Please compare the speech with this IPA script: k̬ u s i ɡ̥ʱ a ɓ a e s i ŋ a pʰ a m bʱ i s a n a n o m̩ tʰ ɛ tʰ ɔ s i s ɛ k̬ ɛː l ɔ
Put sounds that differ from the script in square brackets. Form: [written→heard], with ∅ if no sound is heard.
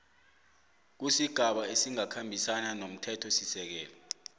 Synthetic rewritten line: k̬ u s i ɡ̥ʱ a ɓ a e s i ŋ a [pʰ→kʰ] a m bʱ i s a n a n o m̩ tʰ ɛ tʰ ɔ s i s ɛ k̬ ɛː l ɔ